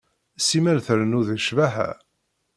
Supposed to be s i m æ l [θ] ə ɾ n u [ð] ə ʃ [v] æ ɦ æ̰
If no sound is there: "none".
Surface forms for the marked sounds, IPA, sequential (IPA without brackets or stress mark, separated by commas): θ, ð, v